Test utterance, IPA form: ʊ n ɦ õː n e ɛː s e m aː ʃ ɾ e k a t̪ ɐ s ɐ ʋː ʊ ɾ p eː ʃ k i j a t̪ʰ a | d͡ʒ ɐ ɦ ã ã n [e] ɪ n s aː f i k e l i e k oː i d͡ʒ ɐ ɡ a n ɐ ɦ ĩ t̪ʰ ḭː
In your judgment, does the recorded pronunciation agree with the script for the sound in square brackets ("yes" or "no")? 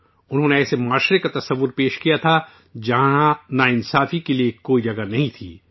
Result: no